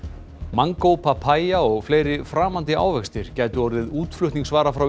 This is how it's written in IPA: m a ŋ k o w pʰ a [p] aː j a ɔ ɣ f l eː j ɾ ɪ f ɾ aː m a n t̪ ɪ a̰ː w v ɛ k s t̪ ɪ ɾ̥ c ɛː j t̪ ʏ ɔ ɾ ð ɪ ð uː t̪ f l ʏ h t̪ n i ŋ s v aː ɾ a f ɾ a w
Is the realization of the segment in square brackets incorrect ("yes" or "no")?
yes